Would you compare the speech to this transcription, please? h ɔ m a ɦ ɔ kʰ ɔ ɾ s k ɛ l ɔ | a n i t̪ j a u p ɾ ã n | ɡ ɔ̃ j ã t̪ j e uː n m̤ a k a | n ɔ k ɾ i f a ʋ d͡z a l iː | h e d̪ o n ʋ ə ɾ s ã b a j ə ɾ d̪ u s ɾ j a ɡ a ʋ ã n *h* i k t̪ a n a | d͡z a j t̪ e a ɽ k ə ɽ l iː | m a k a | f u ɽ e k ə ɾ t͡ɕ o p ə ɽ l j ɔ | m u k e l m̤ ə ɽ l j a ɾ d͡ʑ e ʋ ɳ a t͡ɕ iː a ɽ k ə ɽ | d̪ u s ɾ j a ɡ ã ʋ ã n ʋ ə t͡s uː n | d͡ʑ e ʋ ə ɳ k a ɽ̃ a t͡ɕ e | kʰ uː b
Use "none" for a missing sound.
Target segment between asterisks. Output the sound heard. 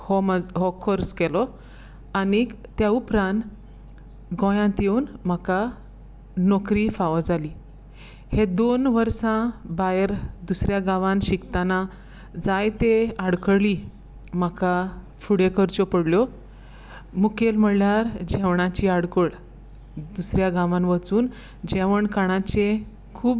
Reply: ɕ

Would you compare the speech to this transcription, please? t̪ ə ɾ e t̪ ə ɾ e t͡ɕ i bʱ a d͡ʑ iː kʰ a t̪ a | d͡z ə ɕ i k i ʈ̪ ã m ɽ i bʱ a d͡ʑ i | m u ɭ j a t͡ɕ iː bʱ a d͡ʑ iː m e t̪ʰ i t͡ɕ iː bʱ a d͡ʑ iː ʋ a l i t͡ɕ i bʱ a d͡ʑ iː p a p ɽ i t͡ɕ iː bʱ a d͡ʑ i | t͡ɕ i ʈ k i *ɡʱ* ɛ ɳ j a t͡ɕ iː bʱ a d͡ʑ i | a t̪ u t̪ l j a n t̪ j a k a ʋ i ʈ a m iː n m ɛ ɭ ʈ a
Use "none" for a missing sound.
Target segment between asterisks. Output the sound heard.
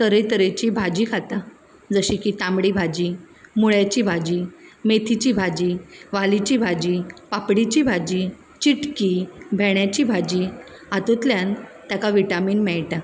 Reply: bʱ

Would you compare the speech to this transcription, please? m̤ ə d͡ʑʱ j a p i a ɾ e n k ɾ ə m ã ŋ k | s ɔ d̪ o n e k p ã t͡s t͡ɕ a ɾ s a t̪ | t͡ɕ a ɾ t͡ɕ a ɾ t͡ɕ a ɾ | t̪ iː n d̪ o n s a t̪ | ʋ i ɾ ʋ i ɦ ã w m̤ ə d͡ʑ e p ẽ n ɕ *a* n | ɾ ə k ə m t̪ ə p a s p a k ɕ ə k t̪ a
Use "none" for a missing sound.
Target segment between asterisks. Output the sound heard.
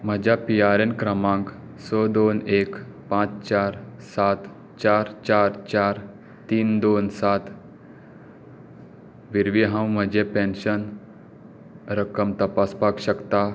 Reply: ə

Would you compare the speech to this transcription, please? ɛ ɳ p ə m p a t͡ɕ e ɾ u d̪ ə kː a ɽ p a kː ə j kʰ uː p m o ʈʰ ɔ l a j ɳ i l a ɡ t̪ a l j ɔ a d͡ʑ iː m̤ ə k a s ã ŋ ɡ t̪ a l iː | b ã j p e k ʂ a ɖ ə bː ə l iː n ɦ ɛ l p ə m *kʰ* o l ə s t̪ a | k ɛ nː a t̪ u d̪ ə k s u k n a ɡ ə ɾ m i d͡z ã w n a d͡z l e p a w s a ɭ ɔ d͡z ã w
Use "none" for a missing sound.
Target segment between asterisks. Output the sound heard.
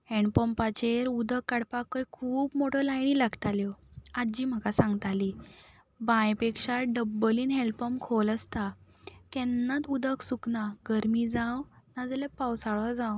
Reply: kʰ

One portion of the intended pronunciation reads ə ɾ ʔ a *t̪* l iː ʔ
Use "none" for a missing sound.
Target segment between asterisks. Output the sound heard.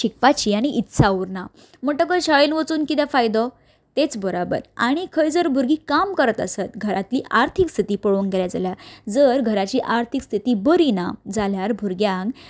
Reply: t̪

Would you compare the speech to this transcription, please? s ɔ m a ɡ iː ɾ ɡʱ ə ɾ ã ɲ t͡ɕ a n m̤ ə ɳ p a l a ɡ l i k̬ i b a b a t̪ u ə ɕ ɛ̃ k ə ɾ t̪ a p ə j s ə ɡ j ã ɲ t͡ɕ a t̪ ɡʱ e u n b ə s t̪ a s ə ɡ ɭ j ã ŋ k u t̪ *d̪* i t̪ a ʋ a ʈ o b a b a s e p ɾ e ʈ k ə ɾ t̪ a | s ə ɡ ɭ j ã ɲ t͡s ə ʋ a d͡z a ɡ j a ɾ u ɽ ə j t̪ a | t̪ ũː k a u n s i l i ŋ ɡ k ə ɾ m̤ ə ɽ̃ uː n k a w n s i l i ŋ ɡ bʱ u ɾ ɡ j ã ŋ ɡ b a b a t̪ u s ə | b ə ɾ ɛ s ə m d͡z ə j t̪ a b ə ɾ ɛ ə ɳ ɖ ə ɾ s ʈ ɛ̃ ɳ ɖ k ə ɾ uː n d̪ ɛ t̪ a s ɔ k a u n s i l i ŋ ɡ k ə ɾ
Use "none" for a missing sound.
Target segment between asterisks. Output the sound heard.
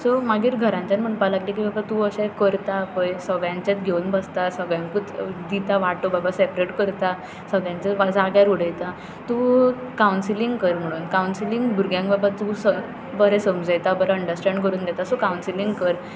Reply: d̪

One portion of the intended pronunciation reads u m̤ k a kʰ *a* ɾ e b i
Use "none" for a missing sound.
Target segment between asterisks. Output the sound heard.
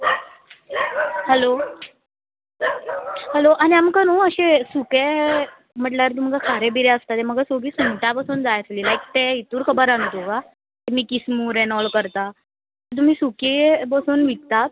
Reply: a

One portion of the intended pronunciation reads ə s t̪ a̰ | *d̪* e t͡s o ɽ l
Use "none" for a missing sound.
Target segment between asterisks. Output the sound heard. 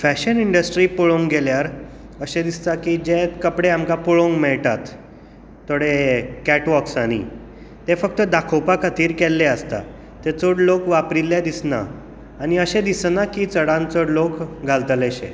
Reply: t̪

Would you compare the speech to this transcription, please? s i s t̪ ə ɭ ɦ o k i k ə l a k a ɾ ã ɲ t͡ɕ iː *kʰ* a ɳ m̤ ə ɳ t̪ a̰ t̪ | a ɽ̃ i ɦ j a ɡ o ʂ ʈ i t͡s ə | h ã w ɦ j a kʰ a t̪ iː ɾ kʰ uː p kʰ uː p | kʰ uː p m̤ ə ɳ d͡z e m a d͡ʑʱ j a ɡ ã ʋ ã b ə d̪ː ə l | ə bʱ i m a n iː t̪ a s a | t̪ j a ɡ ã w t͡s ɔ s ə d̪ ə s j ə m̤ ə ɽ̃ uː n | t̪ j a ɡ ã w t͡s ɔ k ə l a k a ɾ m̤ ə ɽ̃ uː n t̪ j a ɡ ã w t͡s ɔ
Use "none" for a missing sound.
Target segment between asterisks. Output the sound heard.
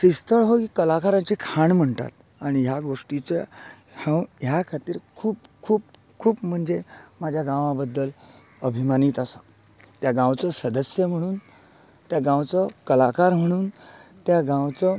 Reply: kʰ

